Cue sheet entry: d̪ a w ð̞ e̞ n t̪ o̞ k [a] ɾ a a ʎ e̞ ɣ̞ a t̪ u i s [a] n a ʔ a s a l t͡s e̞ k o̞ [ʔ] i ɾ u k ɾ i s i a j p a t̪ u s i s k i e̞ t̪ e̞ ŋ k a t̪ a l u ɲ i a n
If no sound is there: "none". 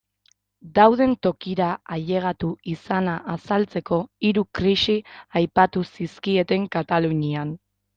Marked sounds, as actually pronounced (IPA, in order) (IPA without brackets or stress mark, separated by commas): i, a, none